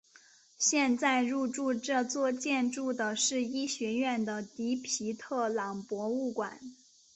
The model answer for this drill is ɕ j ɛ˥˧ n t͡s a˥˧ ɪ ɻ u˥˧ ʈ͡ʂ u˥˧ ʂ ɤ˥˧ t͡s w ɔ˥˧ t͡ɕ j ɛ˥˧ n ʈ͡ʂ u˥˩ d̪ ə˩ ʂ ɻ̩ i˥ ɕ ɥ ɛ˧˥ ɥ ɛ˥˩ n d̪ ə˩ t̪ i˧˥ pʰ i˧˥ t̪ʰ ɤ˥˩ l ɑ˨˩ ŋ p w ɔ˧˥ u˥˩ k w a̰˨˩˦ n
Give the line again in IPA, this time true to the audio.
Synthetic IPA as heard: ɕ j ɛ˥˧ n t͡s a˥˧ ɪ ɻ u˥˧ ʈ͡ʂ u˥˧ ʈ͡ʂ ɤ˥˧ t͡s w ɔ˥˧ t͡ɕ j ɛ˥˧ n ʈ͡ʂ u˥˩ d̪ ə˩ ʂ ɻ̩ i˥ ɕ ɥ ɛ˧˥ ɥ ɛ˥˩ n d̪ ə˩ t̪ i˧˥ pʰ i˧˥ t̪ʰ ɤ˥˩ l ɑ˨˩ ŋ p w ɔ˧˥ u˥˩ k w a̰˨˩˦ n